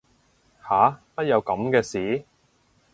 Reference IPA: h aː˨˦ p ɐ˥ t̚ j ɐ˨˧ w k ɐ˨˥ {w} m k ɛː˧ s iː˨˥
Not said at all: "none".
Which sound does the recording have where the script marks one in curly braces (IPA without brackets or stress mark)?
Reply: none